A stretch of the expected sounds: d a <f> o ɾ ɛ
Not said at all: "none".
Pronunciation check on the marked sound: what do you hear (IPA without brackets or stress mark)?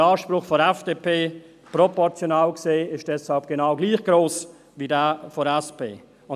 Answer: f